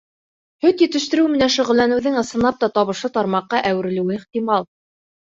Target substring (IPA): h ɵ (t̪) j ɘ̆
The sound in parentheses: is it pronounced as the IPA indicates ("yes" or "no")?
yes